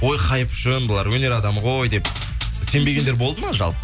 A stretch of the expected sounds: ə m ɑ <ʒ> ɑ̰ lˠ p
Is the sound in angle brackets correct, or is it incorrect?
correct